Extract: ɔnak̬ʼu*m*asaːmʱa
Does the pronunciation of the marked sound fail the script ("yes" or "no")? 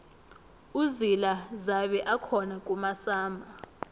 no